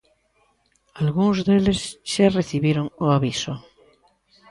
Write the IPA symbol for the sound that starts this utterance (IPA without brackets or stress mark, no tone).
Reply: a